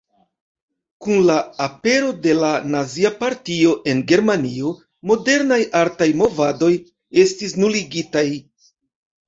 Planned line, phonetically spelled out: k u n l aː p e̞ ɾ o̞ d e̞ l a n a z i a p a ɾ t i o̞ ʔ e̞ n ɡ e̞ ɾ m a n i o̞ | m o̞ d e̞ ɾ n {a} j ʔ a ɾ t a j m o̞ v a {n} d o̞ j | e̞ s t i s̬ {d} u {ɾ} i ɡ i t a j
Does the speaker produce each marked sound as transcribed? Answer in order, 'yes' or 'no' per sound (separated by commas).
yes, no, no, no